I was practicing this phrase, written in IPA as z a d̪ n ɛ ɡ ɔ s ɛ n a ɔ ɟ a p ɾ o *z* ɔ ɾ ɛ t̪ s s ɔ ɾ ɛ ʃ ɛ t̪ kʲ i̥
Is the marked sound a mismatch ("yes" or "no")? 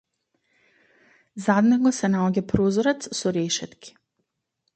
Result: no